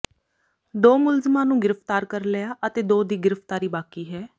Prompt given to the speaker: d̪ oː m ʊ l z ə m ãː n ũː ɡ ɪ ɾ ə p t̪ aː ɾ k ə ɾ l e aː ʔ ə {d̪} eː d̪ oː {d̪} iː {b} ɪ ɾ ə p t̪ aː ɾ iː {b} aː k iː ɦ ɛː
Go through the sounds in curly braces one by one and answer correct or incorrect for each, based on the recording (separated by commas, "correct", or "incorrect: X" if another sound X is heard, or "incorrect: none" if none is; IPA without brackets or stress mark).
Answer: incorrect: t̪, correct, incorrect: ɡ, correct